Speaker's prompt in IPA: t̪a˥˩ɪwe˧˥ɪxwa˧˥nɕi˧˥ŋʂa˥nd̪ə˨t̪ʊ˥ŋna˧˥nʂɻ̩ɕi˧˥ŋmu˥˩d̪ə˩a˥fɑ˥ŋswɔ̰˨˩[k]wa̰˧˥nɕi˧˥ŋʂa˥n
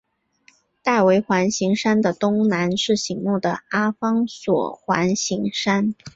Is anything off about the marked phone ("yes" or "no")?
yes